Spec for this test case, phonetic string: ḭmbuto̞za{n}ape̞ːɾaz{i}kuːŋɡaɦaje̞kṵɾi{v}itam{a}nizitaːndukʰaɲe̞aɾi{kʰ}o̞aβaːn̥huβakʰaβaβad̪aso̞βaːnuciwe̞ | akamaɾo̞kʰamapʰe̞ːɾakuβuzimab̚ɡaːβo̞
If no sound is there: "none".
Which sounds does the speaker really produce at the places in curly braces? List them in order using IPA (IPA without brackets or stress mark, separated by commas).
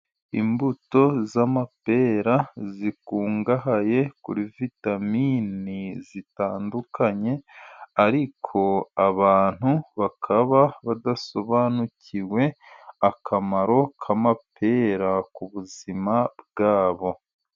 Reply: m, i, v, i, kʰ